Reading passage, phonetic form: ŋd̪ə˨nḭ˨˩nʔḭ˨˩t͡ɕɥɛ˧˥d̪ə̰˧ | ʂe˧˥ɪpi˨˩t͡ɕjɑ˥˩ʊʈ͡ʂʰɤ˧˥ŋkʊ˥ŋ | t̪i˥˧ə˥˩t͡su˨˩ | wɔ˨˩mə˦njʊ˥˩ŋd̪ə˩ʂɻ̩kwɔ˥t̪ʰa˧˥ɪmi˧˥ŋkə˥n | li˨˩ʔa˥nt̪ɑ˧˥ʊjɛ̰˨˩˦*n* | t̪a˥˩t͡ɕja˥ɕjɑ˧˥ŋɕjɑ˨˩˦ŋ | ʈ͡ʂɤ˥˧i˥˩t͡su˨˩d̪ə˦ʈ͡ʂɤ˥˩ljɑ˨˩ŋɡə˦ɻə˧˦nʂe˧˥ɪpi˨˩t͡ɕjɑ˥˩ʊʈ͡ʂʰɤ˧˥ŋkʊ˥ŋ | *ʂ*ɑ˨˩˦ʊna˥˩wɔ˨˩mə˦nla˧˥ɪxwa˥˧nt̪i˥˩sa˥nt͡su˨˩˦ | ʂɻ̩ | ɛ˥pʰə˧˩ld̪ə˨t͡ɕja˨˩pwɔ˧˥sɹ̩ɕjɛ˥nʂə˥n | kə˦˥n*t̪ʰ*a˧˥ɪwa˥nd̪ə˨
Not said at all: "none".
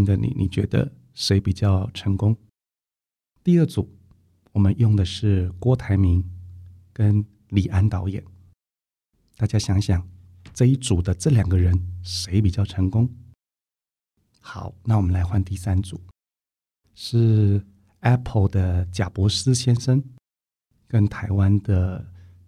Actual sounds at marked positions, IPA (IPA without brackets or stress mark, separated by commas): n, x, t̪ʰ